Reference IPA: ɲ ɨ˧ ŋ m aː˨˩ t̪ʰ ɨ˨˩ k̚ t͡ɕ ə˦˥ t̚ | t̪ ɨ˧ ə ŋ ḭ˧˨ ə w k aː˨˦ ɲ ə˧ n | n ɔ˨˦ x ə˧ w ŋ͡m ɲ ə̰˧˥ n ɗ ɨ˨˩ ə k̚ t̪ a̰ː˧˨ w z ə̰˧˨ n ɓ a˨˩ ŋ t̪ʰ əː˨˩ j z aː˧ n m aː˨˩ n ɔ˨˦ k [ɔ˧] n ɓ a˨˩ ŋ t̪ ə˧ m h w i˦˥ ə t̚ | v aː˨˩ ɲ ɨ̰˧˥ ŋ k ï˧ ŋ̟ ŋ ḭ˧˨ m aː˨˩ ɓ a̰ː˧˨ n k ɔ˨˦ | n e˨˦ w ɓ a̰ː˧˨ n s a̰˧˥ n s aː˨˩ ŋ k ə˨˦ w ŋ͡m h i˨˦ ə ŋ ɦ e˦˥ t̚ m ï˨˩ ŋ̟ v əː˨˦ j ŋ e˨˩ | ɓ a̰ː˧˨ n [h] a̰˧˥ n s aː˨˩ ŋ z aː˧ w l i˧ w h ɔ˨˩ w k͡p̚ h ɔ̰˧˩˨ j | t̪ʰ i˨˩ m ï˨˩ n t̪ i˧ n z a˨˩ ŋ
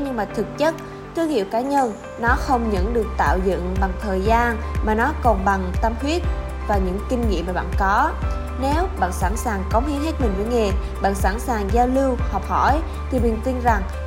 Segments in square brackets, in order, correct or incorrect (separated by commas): incorrect, incorrect